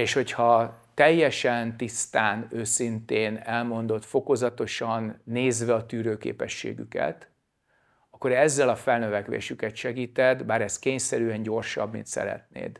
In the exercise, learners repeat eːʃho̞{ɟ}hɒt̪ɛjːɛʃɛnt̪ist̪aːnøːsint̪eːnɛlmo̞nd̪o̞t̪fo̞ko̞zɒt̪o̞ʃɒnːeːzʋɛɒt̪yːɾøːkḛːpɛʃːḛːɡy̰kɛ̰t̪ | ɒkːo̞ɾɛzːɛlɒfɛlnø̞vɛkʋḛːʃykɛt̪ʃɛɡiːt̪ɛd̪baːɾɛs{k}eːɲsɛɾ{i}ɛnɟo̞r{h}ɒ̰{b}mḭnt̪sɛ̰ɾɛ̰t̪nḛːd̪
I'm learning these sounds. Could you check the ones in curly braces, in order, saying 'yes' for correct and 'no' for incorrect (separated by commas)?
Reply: no, yes, no, no, yes